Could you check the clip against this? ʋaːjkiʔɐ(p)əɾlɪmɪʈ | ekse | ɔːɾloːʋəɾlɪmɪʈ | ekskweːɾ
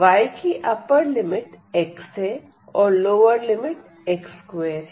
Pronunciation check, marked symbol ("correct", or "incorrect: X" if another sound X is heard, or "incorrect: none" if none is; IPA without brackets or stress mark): correct